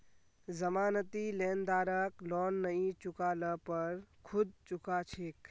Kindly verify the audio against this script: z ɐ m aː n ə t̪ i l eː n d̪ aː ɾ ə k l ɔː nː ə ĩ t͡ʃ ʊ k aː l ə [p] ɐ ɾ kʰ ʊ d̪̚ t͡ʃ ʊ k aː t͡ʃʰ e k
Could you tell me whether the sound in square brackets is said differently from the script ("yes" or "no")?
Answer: no